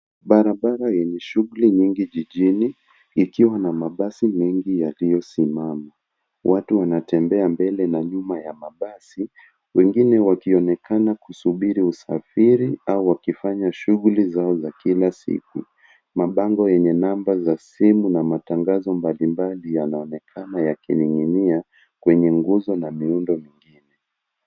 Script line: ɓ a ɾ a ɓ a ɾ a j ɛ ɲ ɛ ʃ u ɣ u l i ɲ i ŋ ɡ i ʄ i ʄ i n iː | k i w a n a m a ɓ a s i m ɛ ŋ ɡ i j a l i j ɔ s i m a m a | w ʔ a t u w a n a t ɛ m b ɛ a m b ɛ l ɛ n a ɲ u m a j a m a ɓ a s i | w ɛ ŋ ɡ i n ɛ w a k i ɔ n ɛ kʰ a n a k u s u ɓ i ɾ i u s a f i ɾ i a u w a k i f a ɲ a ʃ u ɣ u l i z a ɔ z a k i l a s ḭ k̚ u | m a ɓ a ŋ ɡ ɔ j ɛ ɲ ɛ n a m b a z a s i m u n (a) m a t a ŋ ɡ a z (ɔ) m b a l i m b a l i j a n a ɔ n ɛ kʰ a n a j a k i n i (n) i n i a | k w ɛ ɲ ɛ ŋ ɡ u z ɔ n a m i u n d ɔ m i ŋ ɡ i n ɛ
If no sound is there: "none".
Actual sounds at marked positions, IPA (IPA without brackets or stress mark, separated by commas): a, ɔ, ŋ